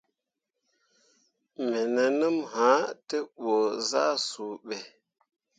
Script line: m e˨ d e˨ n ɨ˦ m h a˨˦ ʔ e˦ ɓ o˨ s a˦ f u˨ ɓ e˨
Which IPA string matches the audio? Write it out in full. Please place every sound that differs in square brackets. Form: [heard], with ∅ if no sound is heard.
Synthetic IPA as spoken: m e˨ [n] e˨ n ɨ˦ m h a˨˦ [t] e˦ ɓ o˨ [z] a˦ [s] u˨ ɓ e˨